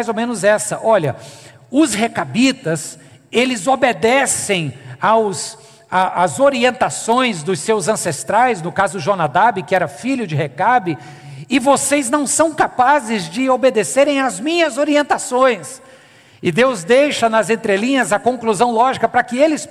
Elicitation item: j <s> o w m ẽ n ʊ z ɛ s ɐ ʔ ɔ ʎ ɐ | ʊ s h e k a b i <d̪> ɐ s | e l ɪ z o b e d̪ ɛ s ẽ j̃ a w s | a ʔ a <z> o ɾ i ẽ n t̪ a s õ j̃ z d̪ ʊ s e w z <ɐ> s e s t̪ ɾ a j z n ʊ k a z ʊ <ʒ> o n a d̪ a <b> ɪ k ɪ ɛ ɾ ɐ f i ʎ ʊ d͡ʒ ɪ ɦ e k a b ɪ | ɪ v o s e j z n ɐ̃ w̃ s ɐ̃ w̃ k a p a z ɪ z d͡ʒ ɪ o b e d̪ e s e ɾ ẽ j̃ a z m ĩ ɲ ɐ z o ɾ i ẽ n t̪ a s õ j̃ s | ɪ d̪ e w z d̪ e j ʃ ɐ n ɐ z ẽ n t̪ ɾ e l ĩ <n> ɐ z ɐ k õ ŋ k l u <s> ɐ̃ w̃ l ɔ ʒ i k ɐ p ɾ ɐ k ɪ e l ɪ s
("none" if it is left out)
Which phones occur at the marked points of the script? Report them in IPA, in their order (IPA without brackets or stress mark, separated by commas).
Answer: z, t̪, z, ɐ̃, ʒ, b, ɲ, z